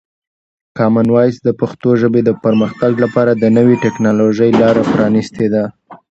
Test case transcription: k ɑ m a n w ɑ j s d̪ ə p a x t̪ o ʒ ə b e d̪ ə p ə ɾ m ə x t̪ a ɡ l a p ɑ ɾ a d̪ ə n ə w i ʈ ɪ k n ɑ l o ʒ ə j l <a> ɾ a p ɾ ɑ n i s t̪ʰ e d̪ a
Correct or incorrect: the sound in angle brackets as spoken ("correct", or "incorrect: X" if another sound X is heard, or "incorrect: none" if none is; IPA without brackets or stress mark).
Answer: incorrect: ɑ